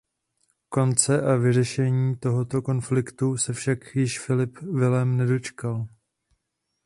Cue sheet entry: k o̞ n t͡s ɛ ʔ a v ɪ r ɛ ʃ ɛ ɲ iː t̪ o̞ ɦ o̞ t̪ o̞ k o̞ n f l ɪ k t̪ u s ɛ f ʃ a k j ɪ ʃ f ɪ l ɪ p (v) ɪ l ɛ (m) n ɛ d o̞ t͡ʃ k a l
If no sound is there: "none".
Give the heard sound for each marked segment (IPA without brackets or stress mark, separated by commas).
v, m